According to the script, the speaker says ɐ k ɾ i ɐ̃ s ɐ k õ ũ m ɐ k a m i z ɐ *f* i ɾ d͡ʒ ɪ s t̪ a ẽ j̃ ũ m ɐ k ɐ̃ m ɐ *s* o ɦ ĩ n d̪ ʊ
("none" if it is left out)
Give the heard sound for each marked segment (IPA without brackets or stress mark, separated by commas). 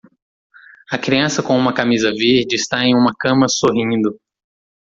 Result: v, s